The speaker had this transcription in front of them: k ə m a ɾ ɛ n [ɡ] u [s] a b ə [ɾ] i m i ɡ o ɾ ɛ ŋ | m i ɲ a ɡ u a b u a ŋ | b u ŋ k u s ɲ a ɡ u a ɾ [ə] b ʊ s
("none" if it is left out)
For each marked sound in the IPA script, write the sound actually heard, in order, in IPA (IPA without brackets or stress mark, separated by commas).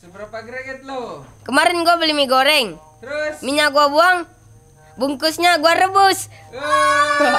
ɡ, none, l, ə